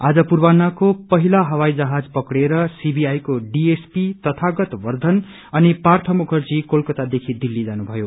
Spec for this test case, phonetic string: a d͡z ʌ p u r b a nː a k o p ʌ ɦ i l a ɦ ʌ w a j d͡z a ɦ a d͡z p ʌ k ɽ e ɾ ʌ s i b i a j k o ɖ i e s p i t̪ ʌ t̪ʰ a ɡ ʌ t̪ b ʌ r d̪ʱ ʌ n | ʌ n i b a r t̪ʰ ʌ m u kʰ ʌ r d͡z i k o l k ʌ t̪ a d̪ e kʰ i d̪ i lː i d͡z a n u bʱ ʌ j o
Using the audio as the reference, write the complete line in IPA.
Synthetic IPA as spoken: a d͡z ʌ p u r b a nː a k o p ʌ ɦ i l a ɦ ʌ w a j d͡z ʌ ɦ a d͡z p ʌ k ɽ e ɾ ʌ s i b i a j k o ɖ i e s p i t̪ ʌ t̪ʰ a ɡ ʌ t̪ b ʌ r d̪ʱ ʌ n | ʌ n i p a r t̪ʰ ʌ m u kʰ ʌ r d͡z i k o l k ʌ t̪ a d̪ e kʰ i d̪ i lː i d͡z a n u bʱ ʌ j o

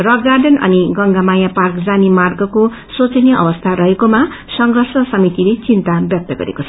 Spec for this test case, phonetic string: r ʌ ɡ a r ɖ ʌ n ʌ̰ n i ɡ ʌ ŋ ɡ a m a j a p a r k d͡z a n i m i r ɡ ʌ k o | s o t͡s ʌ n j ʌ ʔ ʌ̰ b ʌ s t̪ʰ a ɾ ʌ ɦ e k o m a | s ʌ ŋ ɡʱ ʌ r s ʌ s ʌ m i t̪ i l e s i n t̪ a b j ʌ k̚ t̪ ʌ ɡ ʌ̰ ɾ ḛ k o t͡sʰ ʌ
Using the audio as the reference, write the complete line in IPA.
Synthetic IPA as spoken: r ʌ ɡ a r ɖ ʌ n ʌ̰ n i ɡ ʌ ŋ ɡ a m a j a p a r k d͡z a n i m a r ɡ ʌ k o | s o t͡s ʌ n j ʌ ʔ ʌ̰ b ʌ s t̪ʰ a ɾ ʌ ɦ e k o m a | s ʌ ŋ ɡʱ ʌ r s ʌ s ʌ m i t̪ i l e t͡s i n t̪ a b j ʌ k̚ t̪ ʌ ɡ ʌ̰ ɾ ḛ k o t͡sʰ ʌ

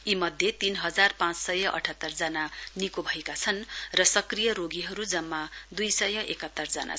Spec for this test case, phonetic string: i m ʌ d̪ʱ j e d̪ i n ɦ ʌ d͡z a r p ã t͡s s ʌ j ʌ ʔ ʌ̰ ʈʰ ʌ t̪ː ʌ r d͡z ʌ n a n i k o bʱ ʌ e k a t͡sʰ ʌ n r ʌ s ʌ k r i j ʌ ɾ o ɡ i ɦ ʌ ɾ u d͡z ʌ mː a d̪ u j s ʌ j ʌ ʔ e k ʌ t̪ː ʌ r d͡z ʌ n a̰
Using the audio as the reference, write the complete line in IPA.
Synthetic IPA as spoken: i m ʌ d̪ʱ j e t̪ i n ɦ ʌ d͡z a r p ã t͡s s ʌ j ʌ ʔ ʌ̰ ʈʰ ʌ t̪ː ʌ r d͡z ʌ n a n i k o bʱ ʌ e k a t͡sʰ ʌ n r ʌ s ʌ k r i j ʌ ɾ o ɡ i ɦ ʌ ɾ u d͡z ʌ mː a d̪ u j s ʌ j ʌ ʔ e k ʌ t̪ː ʌ r d͡z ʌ n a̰

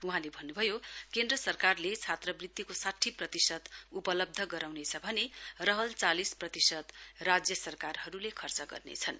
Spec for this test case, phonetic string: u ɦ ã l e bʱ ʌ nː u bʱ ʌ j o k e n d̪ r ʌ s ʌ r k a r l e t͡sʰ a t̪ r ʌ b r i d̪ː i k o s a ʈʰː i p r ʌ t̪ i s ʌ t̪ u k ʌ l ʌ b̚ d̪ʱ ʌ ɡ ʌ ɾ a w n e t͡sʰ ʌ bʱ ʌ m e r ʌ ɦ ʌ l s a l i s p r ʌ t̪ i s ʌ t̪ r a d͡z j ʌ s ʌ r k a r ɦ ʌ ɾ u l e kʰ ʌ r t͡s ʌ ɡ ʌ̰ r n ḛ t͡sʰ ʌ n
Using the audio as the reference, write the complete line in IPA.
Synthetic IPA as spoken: u ɦ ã l e bʱ ʌ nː u bʱ ʌ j o k e n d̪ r ʌ s ʌ r k a r l e t͡sʰ a t̪ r ʌ b r i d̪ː i k o s a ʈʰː i p r ʌ t̪ i s ʌ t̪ u p ʌ l ʌ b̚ d̪ʱ ʌ ɡ ʌ ɾ a w n e t͡sʰ ʌ bʱ ʌ n e r ʌ ɦ ʌ l t͡s a l i s p r ʌ t̪ i s ʌ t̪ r a d͡z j ʌ s ʌ r k a r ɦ ʌ ɾ u l e kʰ ʌ r t͡s ʌ ɡ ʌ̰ r n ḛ t͡sʰ ʌ n

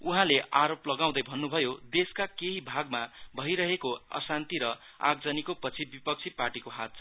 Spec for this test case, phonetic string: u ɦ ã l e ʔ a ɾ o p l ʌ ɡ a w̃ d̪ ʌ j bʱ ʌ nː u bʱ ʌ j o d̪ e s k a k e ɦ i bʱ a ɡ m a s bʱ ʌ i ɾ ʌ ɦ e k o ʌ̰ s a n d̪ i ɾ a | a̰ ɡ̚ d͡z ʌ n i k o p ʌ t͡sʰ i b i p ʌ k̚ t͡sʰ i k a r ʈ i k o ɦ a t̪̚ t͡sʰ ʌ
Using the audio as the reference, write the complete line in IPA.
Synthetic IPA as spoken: u ɦ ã l e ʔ a ɾ o p l ʌ ɡ a w̃ d̪ ʌ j bʱ ʌ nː u bʱ ʌ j o d̪ e s k a k e ɦ i bʱ a ɡ m a bʱ ʌ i ɾ ʌ ɦ e k o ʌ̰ s a n t̪ i ɾ ʌ | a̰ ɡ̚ d͡z ʌ n i k o p ʌ t͡sʰ i b i p ʌ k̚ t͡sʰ i p a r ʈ i k o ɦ a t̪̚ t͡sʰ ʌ

